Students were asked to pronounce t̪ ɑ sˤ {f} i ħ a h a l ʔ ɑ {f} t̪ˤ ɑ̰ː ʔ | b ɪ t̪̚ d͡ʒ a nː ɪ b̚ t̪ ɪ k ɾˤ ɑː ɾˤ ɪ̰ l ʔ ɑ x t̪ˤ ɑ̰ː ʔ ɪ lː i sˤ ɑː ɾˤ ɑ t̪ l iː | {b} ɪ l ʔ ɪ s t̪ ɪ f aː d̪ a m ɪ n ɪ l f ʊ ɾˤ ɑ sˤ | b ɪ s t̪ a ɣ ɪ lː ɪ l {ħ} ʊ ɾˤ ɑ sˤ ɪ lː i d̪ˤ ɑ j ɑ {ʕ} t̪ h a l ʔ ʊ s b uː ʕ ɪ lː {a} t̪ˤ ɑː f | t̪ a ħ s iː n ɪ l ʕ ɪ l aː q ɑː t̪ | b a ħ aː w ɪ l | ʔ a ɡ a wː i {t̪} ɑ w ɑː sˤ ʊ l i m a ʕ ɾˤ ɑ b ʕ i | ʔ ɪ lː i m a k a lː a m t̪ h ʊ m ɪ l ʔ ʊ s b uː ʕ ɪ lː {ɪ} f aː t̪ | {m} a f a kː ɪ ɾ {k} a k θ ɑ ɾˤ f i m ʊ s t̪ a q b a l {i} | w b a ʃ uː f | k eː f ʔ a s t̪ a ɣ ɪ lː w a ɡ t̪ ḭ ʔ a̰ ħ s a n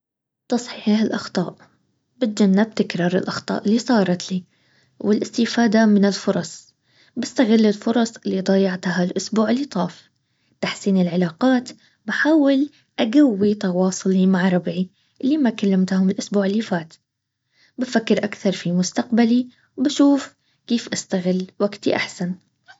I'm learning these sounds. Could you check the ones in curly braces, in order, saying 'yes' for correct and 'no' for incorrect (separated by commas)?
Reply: no, no, no, no, yes, no, yes, no, no, no, yes